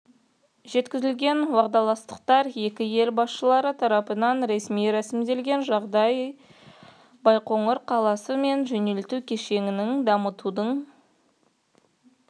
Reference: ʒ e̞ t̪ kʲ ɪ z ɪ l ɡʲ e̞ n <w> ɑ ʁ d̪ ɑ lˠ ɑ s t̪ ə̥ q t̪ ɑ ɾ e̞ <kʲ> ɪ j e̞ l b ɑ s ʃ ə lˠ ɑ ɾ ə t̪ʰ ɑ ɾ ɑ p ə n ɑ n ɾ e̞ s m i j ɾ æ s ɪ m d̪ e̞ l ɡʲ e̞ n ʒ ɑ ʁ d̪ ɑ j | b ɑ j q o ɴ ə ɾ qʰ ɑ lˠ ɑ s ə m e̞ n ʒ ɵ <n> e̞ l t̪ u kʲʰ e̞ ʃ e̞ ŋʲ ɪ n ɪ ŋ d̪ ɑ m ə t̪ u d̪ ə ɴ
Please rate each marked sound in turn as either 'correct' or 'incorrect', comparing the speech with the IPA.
correct, correct, correct

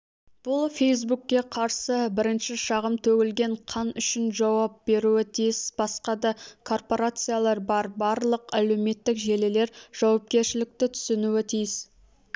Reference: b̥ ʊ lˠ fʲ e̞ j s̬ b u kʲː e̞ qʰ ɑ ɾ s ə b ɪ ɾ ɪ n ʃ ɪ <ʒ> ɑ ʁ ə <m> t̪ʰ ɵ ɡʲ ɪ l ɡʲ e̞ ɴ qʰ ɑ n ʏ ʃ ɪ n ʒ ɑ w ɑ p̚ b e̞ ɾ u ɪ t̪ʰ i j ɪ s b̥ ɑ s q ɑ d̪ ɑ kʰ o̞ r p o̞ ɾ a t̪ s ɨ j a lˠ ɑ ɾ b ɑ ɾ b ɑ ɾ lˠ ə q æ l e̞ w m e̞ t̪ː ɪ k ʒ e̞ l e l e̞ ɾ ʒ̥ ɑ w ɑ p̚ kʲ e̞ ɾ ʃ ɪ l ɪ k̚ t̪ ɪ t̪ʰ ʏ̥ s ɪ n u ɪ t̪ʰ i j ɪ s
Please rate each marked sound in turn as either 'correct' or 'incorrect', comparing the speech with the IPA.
incorrect: ʃ, correct

